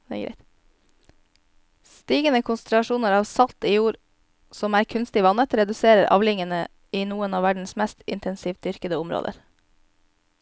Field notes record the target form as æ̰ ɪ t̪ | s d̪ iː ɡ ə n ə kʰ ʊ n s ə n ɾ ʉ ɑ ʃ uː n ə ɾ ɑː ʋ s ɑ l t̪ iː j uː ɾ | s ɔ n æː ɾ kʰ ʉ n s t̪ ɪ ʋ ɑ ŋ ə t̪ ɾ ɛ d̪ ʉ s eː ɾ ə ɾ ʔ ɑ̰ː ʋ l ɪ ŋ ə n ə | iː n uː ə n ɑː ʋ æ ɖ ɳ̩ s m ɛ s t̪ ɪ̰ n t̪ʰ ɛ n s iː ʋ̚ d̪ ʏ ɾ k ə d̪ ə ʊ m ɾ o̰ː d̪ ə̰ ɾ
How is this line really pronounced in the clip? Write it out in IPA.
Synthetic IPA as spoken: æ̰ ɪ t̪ | s t̪ iː ɡ ə n ə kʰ ʊ n s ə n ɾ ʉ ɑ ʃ uː n ə ɾ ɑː ʋ s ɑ l t̪ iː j uː ɾ | s ɔ m æː ɾ kʰ ʉ n s t̪ ɪ ʋ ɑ n ə t̪ ɾ ɛ d̪ ʉ s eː ɾ ə ɾ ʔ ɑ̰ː ʋ l ɪ ŋ ə n ə | iː n uː ə n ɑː ʋ æ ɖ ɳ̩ s m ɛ s t̪ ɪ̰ n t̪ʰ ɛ n s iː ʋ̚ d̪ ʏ ɾ k ə d̪ ə ʊ m ɾ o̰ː d̪ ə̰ ɾ